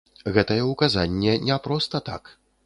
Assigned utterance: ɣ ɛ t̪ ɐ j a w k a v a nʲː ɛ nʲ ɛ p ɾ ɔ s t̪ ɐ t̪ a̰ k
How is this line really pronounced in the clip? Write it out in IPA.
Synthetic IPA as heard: ɣ ɛ t̪ ɐ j ɛ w k a z a nʲː ɛ nʲ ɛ p ɾ ɔ s t̪ ɐ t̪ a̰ k